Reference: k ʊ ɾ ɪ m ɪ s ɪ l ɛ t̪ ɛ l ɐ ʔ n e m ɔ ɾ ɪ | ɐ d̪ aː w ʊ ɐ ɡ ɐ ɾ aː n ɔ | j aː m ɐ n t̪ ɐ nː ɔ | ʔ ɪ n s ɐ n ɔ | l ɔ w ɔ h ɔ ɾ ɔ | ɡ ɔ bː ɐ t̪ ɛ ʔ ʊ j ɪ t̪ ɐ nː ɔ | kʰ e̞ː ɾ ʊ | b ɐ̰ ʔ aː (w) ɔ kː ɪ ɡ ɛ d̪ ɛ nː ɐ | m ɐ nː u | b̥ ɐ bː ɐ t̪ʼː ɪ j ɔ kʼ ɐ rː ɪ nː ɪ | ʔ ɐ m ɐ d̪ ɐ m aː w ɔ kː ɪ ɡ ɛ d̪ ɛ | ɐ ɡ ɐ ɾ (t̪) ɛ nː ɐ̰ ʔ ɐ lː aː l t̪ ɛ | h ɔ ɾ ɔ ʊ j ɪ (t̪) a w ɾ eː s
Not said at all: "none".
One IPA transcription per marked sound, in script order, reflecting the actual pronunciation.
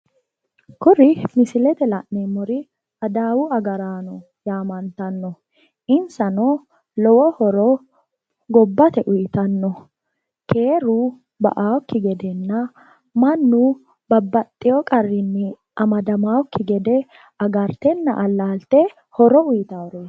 w, t̪, t̪

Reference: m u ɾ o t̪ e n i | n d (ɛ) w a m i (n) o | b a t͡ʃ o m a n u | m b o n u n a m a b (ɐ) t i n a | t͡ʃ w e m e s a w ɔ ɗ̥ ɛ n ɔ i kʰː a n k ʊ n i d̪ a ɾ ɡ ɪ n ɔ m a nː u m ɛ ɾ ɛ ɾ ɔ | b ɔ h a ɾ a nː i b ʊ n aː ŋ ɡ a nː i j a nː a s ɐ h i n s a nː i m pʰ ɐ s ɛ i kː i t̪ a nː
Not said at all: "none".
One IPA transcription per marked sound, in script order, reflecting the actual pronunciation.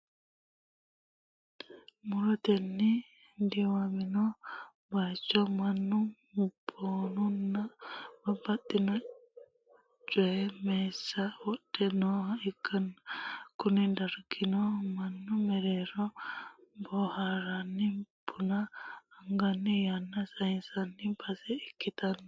i, n, a

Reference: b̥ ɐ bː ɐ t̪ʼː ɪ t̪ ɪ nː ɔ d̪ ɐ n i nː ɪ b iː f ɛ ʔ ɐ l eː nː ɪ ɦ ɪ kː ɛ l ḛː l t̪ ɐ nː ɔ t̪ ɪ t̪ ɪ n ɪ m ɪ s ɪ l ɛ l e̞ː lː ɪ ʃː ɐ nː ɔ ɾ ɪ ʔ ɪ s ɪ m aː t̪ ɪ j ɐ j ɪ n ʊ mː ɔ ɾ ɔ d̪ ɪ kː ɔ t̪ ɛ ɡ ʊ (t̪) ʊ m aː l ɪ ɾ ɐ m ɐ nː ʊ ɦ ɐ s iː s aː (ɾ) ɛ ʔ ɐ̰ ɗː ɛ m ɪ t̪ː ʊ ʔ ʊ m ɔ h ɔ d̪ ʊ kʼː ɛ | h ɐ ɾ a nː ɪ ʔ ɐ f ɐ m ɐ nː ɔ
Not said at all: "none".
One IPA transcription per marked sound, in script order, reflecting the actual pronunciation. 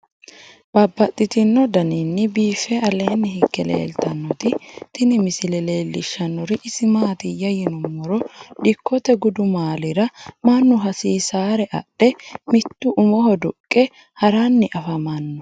d̪, ɾ

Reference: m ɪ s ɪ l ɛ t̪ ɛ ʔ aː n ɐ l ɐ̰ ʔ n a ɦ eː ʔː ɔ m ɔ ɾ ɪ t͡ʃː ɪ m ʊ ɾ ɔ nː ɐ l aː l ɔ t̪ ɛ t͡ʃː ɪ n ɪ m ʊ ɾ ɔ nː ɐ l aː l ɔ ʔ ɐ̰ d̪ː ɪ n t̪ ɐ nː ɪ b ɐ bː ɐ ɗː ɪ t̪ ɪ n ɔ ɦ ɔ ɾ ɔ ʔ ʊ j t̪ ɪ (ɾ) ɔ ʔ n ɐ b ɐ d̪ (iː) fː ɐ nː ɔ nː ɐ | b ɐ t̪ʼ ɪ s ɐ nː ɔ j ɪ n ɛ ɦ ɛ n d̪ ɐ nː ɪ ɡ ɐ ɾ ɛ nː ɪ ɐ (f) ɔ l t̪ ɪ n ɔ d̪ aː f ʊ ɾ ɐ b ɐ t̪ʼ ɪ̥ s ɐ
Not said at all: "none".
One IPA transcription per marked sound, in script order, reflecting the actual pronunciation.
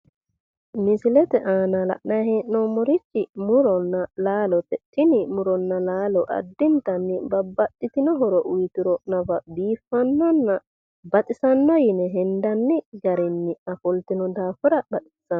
ɾ, iː, f

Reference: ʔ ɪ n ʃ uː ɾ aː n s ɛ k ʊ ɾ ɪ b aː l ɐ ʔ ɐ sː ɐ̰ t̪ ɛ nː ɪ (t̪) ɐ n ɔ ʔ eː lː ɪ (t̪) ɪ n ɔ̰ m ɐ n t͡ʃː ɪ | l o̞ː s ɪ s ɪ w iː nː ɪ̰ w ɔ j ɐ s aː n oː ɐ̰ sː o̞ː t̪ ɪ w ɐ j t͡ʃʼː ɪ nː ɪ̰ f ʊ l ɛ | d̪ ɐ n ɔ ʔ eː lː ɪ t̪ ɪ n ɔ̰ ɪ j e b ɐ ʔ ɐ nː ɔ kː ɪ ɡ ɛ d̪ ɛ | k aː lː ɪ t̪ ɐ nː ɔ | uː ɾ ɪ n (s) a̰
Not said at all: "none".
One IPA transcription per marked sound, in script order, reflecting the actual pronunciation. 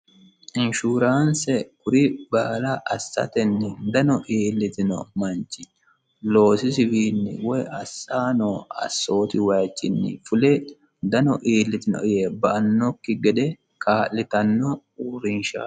d̪, t̪, ʃ

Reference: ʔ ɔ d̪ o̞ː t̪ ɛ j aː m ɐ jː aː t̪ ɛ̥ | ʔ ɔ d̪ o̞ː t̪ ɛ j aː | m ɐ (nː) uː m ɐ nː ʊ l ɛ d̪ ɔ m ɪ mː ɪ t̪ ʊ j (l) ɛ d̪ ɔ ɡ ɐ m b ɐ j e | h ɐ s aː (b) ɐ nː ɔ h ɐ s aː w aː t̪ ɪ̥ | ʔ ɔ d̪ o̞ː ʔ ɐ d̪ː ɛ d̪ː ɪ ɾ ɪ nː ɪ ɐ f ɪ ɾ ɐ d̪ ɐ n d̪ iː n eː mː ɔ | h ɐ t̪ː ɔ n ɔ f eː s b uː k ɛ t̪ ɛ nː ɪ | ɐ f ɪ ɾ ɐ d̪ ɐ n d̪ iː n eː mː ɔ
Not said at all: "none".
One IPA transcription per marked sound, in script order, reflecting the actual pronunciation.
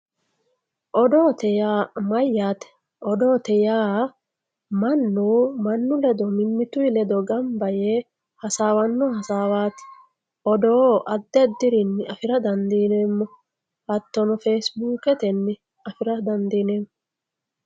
nː, l, w

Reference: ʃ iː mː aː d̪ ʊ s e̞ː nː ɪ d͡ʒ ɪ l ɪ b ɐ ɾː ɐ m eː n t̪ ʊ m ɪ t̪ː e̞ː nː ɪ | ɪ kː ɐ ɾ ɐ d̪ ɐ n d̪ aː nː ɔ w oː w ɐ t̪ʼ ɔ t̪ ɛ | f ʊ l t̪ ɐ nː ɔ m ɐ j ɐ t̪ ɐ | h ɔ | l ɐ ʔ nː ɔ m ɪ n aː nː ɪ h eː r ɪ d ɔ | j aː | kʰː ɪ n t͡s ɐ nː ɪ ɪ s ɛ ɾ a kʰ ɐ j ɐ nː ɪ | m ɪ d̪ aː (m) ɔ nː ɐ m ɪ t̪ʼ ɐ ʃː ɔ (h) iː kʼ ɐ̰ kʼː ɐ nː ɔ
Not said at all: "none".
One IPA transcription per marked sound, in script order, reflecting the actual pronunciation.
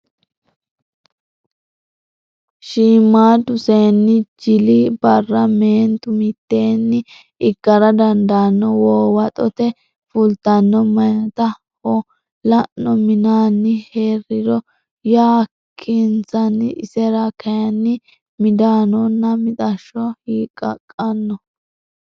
n, h

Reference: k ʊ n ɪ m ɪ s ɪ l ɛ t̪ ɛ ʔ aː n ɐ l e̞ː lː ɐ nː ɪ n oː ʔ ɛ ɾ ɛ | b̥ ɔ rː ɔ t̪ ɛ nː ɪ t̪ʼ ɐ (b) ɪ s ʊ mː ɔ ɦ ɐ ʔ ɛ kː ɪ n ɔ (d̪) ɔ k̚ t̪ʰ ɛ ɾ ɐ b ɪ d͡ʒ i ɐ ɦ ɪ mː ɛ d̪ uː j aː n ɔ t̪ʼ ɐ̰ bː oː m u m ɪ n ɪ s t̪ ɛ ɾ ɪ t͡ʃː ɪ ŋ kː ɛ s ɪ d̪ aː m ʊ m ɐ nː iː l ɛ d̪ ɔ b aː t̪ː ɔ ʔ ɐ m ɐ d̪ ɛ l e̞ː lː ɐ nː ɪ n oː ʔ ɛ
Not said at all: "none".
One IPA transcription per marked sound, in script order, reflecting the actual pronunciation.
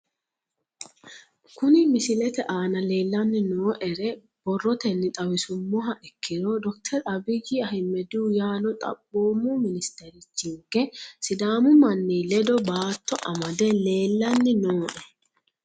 w, d̪

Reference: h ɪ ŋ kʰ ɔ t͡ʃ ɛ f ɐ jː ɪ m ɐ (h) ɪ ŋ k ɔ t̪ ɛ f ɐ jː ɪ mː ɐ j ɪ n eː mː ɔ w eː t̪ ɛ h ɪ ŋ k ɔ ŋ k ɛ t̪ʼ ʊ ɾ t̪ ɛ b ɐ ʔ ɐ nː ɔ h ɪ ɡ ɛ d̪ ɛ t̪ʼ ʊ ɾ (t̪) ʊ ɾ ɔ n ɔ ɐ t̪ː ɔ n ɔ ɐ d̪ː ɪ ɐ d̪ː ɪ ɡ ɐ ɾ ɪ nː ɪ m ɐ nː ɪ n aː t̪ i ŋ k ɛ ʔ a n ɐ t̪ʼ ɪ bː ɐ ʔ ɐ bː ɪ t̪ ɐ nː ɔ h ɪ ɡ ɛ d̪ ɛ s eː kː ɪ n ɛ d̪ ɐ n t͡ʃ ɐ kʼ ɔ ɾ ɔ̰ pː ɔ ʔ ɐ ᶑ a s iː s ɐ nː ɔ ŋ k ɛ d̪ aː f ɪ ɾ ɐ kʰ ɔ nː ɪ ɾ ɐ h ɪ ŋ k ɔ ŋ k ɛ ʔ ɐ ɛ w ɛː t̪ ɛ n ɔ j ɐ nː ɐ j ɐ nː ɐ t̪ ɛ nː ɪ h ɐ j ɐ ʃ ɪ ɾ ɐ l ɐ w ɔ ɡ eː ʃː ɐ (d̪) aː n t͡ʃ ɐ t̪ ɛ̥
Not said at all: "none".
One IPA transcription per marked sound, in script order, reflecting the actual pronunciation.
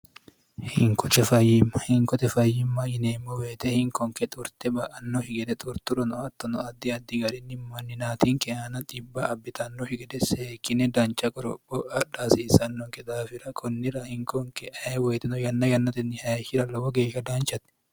h, t̪, d̪

